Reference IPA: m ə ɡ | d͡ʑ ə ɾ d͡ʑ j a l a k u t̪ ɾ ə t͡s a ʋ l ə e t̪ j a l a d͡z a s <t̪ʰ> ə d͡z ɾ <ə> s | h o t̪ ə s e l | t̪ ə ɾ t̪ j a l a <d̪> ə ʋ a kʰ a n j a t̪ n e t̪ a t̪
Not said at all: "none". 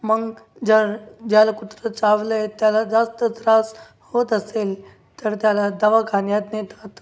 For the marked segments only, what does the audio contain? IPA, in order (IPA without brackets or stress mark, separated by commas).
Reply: t̪, a, d̪